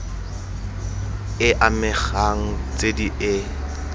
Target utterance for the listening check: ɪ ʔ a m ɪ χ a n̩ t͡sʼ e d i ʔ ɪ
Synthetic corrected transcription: ɪ ʔ a m ɪ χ a ŋ̩ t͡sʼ e d i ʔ ɪ